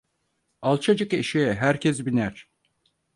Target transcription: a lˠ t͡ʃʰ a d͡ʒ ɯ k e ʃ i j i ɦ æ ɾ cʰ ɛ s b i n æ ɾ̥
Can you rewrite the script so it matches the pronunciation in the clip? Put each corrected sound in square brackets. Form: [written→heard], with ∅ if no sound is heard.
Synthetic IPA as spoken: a lˠ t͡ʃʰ a d͡ʒ ɯ k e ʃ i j [i→ɛ] ɦ æ ɾ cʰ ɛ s b i n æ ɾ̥